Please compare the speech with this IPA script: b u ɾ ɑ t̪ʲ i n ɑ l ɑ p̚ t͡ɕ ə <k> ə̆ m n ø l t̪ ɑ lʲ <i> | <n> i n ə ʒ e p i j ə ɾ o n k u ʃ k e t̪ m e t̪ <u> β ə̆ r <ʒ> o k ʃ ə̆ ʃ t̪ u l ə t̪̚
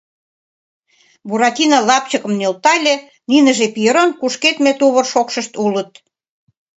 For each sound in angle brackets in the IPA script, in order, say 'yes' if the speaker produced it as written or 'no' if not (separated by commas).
yes, no, yes, yes, no